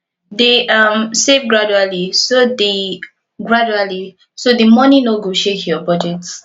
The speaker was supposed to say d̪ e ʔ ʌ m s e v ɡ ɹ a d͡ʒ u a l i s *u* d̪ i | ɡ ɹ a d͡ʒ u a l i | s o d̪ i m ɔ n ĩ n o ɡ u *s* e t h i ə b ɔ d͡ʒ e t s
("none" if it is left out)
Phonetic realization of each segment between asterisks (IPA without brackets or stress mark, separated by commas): o, ʃ